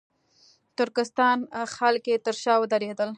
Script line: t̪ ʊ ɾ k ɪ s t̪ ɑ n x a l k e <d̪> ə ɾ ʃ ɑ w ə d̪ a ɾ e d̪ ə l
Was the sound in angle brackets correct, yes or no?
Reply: no